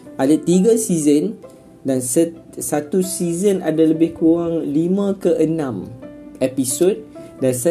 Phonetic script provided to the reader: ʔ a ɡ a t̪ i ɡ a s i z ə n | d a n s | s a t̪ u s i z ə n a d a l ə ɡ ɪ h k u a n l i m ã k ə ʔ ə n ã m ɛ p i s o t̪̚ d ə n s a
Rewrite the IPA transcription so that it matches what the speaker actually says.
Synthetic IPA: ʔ a d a t̪ i ɡ a s i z ə n | d a n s | s a t̪ u s i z ə n a d a l ə b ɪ h k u a ŋ l i m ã k ə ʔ ə n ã m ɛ p i s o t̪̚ d a n s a